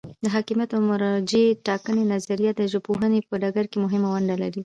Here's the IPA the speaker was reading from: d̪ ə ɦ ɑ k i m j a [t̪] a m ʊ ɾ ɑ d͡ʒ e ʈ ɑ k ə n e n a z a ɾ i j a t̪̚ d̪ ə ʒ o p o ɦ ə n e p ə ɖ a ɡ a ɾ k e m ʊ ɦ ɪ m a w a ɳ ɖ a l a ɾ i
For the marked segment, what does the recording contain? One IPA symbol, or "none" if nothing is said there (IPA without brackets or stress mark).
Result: t̪